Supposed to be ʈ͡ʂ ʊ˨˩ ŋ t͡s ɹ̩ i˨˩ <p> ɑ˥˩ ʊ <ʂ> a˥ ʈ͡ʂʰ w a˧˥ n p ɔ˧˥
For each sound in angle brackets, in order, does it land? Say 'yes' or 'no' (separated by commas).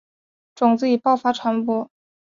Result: yes, no